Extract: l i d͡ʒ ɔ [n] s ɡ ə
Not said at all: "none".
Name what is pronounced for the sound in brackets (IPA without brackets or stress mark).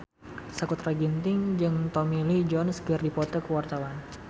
n